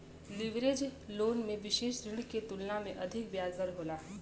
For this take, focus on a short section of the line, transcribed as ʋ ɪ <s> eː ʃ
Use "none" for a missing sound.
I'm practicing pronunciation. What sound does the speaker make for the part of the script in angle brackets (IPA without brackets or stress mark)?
ʃ